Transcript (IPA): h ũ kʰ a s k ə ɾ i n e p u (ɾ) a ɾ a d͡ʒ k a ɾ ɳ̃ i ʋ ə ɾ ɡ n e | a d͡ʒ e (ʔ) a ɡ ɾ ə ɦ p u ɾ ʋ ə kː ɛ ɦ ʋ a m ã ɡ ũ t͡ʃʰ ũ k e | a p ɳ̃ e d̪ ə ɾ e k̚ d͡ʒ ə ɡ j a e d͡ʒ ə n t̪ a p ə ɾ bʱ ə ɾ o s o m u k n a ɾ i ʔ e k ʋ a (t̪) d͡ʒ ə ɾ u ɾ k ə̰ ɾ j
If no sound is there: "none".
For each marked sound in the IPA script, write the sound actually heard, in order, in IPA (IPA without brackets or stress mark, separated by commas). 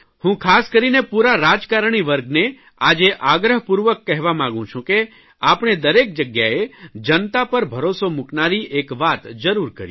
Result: ɾ, ʔ, t̪